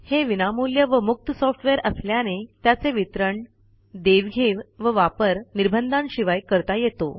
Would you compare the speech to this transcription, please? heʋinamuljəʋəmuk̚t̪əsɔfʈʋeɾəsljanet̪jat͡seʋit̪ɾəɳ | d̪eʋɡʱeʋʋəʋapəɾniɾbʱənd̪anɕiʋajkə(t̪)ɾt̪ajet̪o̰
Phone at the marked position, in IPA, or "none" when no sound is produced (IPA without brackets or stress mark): none